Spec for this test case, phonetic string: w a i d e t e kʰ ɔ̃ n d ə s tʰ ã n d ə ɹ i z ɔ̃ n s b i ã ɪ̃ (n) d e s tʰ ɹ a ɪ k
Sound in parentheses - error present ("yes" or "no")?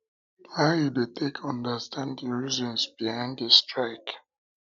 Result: no